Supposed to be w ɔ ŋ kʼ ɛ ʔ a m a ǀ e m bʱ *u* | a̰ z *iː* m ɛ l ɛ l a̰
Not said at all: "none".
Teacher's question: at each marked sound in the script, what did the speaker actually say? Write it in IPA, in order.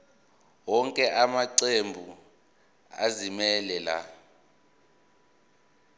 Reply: u, i

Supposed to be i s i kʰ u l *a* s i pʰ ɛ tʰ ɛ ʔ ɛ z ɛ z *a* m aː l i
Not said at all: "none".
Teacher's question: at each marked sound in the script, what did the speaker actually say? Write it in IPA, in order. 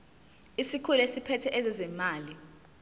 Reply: e, ɛ

